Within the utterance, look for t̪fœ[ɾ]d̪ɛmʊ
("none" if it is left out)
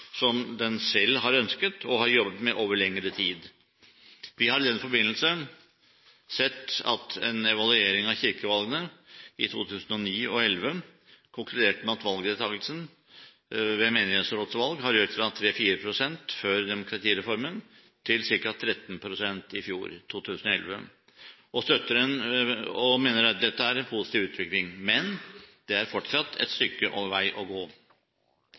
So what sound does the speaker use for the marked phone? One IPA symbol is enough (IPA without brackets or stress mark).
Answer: ɾ